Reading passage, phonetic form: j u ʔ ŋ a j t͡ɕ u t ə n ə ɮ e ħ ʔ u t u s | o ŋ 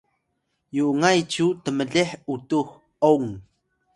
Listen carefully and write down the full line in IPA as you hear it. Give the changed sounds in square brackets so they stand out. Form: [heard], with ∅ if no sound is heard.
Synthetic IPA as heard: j u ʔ ŋ a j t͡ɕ u t ə [m] ə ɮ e ħ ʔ u t u [x] | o ŋ